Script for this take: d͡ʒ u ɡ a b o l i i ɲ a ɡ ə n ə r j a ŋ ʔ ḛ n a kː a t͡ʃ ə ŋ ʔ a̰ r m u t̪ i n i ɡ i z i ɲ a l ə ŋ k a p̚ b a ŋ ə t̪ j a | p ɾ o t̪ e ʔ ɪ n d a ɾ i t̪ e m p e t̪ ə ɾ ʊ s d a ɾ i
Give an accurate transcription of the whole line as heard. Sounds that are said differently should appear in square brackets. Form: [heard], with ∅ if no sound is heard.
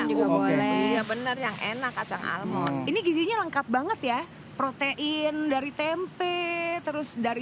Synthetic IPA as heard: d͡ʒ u ɡ a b o l [ɛ] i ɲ a [b] ə n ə r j a ŋ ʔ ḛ n a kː a t͡ʃ [a] ŋ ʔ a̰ [l] m [ɔ] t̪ i n i ɡ i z i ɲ a l ə ŋ k a p̚ b a ŋ ə t̪ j a | p ɾ o t̪ e ʔ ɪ n d a ɾ i t̪ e m p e t̪ ə ɾ ʊ s d a ɾ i